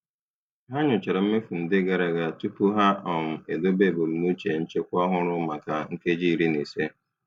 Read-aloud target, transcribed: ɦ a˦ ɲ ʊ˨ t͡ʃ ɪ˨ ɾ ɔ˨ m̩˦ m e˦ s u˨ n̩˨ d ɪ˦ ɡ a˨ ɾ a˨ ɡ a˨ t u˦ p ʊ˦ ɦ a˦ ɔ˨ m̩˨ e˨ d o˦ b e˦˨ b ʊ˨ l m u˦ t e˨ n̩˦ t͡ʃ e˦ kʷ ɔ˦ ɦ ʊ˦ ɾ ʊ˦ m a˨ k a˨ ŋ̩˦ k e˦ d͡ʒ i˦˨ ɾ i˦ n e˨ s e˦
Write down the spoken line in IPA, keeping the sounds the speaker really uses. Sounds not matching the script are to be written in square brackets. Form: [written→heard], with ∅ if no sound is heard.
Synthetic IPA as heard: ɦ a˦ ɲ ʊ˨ t͡ʃ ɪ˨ ɾ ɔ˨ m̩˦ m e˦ [s→f] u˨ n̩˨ d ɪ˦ ɡ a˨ ɾ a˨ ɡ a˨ t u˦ p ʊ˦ ɦ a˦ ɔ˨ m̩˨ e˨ d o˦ b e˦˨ b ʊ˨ l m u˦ [t→t͡ʃ] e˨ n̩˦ t͡ʃ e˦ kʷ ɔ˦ ɦ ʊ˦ ɾ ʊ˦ m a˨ k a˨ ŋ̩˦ k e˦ d͡ʒ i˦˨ ɾ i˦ n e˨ s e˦